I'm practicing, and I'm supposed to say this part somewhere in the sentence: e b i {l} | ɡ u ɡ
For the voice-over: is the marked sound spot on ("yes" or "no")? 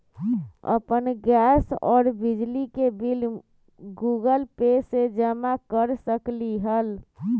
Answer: yes